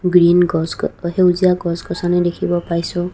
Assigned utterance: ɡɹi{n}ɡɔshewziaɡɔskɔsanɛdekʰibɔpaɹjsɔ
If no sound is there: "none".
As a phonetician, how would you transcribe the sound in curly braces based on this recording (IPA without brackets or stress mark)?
n